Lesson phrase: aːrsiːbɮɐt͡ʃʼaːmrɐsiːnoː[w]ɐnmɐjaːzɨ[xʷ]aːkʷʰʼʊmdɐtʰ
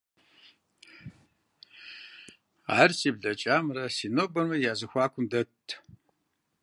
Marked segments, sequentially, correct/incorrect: incorrect: b, correct

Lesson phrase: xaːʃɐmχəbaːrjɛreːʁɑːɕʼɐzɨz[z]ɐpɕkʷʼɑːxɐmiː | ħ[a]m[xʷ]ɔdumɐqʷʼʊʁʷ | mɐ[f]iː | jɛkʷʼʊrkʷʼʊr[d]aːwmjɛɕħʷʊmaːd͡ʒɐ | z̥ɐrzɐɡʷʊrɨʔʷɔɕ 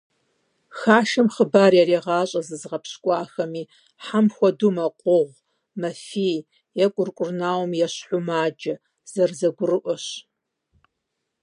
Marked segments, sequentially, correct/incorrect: incorrect: ʁ, correct, correct, correct, incorrect: n

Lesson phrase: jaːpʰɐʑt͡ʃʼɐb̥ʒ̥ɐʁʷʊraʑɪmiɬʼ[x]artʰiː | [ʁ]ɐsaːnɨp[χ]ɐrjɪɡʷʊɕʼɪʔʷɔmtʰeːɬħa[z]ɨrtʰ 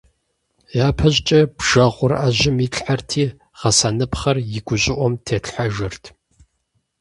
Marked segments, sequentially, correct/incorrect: incorrect: ħ, correct, correct, incorrect: ʒ

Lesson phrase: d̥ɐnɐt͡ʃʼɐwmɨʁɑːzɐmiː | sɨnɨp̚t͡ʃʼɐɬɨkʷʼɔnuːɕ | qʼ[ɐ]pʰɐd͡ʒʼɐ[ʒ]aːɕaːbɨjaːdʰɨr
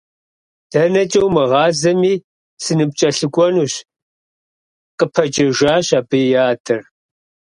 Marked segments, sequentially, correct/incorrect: incorrect: ə, correct

